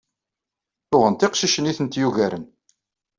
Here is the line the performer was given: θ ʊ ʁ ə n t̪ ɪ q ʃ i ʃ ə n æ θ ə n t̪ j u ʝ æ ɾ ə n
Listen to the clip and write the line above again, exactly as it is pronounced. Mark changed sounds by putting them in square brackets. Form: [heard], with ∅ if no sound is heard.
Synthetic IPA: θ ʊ ʁ ə n t̪ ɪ q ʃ i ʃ ə n [i] θ ə n t̪ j u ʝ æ ɾ ə n

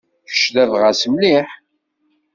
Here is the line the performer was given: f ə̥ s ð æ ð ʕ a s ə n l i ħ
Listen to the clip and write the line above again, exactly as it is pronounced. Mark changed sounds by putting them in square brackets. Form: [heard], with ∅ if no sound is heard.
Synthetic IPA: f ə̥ [ʃ] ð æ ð [ʁ] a s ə [m] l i ħ

